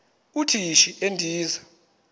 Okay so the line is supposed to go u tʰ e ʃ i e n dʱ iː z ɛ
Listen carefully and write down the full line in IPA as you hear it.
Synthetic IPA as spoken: u tʰ i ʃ i e n dʱ iː z a